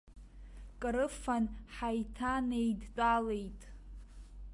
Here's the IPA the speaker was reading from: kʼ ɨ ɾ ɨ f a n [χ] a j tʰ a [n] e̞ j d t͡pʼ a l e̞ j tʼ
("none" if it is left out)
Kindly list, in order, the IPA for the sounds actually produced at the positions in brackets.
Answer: ħ, n

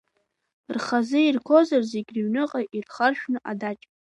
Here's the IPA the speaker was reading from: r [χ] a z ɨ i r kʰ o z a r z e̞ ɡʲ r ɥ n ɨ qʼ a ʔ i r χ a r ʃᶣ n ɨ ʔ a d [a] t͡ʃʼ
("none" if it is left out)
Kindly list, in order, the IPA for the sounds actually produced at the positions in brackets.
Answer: χ, a

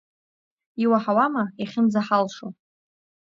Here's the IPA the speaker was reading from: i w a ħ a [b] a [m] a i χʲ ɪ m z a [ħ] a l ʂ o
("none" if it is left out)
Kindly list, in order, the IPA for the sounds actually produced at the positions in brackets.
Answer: w, m, ħ

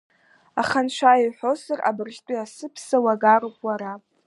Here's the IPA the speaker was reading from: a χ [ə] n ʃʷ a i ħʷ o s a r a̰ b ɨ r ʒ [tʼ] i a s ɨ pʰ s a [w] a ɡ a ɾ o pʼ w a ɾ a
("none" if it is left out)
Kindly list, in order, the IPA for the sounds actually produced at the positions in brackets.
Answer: a, tʼ, w

